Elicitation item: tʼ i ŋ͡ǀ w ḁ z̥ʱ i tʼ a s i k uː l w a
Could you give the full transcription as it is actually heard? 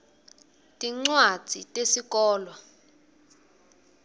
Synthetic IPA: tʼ i ŋ͡ǀ w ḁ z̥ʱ i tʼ e s i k ɔː l w a